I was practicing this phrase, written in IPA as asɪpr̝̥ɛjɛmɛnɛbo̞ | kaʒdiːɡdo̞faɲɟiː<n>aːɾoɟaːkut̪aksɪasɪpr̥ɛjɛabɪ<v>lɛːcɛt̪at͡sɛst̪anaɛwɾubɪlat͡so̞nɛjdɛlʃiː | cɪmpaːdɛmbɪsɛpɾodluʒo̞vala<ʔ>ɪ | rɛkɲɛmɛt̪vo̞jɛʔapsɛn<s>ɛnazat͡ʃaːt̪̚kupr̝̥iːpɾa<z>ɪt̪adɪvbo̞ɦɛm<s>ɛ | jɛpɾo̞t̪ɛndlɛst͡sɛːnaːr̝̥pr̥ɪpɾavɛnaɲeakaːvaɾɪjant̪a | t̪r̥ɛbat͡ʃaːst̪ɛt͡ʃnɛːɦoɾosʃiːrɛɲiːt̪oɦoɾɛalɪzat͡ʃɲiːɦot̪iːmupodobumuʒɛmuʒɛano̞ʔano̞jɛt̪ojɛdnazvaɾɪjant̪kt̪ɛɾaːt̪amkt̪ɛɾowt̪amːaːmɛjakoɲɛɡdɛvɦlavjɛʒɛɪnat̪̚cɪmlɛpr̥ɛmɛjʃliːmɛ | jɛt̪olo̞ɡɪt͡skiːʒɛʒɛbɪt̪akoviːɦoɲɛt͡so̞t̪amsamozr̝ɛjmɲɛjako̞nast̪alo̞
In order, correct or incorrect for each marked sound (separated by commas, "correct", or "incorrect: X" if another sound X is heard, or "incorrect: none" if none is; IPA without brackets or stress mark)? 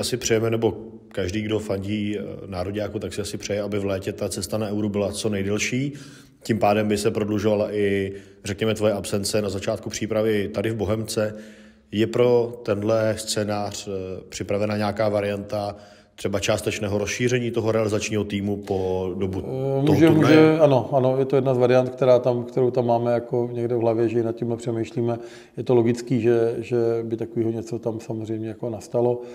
correct, correct, correct, incorrect: t͡s, incorrect: v, incorrect: t͡s